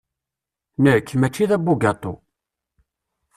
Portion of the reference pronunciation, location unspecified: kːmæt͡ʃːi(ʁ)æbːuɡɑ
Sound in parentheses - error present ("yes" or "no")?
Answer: yes